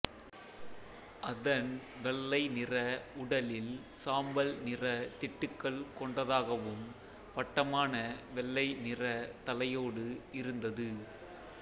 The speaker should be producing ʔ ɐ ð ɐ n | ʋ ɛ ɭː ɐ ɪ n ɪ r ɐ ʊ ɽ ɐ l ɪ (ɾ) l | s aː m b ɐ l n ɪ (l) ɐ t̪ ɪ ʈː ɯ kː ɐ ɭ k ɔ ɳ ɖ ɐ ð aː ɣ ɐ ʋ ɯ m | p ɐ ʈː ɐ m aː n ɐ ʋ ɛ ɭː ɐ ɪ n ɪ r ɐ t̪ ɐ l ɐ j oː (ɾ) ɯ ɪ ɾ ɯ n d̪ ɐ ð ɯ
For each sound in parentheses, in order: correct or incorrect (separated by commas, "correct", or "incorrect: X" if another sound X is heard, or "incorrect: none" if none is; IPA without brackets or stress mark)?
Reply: incorrect: none, incorrect: r, incorrect: ɽ